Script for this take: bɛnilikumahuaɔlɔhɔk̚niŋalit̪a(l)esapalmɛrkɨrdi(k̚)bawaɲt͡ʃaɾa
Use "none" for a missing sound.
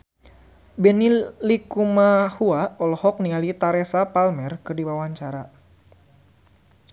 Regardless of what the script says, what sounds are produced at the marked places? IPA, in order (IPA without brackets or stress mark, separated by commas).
ɾ, none